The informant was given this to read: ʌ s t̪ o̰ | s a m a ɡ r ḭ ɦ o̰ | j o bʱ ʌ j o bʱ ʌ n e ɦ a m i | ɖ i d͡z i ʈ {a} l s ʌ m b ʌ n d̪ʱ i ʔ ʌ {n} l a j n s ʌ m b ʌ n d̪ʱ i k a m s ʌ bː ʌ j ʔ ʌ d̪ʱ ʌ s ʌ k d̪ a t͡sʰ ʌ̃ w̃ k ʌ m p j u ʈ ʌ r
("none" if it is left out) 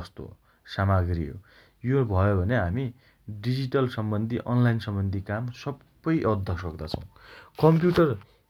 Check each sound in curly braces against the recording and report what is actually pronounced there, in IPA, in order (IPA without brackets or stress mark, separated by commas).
ʌ, n